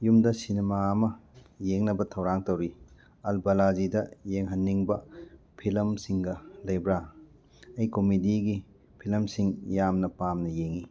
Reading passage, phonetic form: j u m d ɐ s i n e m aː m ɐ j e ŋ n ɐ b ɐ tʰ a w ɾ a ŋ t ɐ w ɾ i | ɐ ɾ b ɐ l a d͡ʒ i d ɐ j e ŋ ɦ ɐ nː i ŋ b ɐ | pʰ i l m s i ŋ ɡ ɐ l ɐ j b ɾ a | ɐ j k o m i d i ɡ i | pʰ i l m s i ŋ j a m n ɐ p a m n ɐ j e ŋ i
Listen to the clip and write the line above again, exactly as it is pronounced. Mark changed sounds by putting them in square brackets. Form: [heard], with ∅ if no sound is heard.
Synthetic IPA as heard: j u m d ɐ s i n e m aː m ɐ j e ŋ n ɐ b ɐ tʰ [ɐ] w ɾ a ŋ t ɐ w ɾ i | ɐ [l] b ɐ l a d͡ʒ i d ɐ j e ŋ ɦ ɐ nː i ŋ b ɐ | pʰ i l m s i ŋ ɡ ɐ l ɐ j b ɾ a | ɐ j k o m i d i ɡ i | pʰ i l m s i ŋ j a m n ɐ p a m n ɐ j e ŋ i